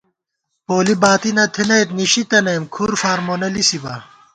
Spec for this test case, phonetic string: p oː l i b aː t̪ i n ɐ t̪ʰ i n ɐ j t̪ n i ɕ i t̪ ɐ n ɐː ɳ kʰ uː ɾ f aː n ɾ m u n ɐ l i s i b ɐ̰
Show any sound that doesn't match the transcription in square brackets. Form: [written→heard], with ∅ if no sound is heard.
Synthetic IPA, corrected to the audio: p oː l i b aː t̪ i n ɐ t̪ʰ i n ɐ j t̪ n i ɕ i t̪ ɐ n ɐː [ɳ→m] kʰ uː ɾ f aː [n→∅] ɾ m [u→o] n ɐ l i s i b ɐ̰